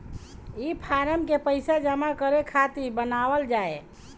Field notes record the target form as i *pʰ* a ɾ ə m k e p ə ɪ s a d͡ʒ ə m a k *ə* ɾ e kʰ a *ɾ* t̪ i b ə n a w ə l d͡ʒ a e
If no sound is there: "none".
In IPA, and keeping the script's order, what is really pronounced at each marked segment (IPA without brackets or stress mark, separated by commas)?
pʰ, ə, none